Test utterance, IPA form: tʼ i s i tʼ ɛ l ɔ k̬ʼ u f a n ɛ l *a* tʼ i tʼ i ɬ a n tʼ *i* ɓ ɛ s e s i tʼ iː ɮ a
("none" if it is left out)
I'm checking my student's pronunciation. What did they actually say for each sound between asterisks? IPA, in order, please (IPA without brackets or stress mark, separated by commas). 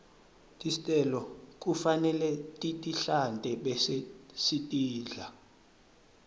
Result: ɛ, ɛ